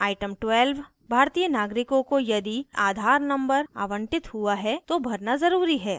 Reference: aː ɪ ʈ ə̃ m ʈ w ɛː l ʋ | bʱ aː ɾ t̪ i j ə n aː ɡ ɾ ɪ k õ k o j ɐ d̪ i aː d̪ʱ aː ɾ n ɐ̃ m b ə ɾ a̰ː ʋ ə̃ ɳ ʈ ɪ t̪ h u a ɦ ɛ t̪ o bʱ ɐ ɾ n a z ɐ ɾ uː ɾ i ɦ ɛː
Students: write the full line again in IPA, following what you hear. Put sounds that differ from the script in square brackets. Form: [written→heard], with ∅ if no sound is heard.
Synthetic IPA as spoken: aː ɪ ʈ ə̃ m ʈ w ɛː l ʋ | bʱ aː ɾ t̪ i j ə n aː ɡ ɾ ɪ k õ k o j ɐ d̪ i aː d̪ʱ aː ɾ n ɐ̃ m b ə ɾ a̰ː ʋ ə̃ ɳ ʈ ɪ t̪ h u a ɦ ɛ t̪ o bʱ ɐ ɾ n a z ɐ ɾ uː ɾ i ɦ ɛː